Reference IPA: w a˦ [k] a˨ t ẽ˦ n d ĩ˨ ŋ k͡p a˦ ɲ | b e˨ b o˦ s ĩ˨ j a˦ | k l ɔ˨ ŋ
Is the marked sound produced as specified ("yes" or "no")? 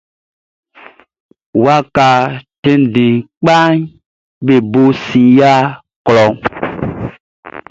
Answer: yes